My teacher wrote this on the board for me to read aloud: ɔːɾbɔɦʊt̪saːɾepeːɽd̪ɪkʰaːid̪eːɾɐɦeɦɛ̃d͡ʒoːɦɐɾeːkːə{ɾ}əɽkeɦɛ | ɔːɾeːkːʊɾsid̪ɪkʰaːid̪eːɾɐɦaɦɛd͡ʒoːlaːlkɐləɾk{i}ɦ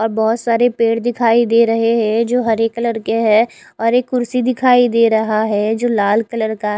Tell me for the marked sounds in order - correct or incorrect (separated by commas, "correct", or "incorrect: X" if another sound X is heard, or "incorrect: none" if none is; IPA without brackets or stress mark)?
incorrect: l, incorrect: a